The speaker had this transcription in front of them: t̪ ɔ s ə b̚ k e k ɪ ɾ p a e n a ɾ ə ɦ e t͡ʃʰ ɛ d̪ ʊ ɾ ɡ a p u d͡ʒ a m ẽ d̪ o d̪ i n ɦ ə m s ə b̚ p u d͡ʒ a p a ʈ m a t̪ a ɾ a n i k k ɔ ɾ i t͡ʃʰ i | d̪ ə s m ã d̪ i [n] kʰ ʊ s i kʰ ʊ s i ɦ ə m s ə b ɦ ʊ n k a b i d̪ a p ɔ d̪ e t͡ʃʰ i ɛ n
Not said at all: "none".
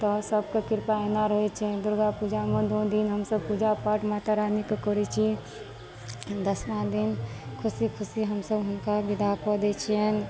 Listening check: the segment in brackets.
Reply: n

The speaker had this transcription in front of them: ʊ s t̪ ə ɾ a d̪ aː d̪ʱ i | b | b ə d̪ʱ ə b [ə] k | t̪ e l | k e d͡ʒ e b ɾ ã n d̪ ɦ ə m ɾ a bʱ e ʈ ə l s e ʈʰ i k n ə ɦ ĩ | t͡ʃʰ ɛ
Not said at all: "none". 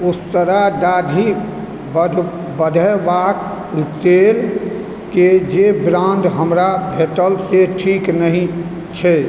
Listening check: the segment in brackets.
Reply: a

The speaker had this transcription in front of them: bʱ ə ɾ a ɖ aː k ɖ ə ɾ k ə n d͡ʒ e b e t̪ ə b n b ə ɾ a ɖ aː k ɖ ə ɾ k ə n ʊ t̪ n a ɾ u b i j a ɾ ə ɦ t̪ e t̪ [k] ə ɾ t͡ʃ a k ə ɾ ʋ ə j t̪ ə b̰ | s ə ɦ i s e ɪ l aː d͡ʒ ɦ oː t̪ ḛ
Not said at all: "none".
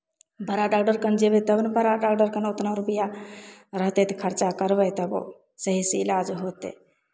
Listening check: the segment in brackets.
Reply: kʰ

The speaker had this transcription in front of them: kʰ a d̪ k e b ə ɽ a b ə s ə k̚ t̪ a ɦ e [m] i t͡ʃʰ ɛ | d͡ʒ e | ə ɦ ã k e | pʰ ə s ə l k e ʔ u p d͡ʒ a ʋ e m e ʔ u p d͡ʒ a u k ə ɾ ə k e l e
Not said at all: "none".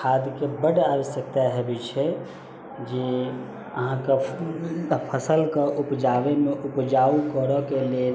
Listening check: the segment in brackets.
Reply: b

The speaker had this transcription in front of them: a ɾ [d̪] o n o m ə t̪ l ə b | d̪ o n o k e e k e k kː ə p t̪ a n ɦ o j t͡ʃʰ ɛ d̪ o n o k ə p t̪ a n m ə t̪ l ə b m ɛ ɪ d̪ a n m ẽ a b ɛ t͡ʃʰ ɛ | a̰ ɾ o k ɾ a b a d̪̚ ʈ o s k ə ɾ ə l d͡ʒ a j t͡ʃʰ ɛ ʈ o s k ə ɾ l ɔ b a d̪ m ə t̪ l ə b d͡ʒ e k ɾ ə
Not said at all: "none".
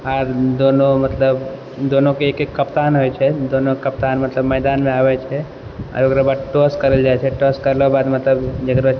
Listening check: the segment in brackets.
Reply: d̪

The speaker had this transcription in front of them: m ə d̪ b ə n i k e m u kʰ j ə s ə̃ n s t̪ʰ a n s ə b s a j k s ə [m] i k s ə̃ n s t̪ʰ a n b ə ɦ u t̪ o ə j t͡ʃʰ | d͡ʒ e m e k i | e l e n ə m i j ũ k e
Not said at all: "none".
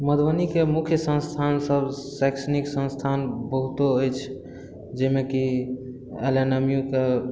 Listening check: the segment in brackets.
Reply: n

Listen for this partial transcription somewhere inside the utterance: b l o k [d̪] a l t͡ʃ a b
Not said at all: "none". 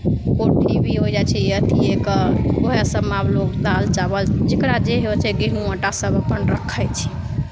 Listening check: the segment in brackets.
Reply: d̪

